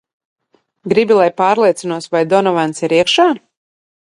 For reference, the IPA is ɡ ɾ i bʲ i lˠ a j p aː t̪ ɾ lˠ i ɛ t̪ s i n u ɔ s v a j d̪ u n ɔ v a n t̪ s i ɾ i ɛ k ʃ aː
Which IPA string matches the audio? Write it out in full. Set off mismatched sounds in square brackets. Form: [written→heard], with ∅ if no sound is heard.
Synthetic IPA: ɡ ɾ i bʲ i lˠ a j p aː [t̪→∅] ɾ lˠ i ɛ t̪ s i n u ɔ s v a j d̪ [u→ɔ] n ɔ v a n t̪ s i ɾ i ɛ k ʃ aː